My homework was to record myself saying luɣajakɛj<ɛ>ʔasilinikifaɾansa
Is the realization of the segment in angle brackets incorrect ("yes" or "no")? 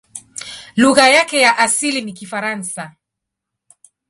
yes